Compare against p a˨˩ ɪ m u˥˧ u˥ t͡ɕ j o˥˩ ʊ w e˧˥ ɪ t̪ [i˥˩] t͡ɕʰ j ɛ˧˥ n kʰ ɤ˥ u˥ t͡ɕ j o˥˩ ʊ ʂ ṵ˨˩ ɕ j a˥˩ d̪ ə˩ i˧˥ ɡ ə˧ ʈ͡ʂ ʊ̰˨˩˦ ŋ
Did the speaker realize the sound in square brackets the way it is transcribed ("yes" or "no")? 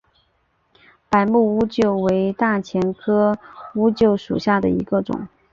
no